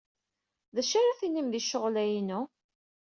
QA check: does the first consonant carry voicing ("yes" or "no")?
yes